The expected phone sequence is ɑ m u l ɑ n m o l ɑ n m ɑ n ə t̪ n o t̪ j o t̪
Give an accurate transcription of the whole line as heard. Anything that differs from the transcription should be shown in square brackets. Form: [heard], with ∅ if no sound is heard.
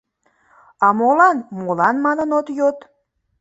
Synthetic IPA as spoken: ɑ m [o] l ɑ n m o l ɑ n m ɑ n ə [∅] n o t̪ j o t̪